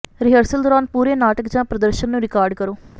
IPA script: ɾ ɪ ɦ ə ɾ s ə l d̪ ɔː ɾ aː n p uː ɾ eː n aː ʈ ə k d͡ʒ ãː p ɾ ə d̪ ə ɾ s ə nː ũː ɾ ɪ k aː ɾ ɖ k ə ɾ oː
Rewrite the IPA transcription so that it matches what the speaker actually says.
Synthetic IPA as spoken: ɾ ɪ ɦ ə ɾ s ə l d̪ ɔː ɾ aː n p uː ɾ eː n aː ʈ ə k d͡ʒ ãː p ɾ ə d̪ ə ɾ ʃ ə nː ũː ɾ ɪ k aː ɾ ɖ k ə ɾ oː